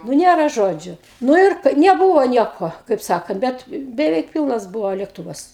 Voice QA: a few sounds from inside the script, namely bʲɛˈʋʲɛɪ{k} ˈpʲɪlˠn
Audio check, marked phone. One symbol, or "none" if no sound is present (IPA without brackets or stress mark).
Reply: k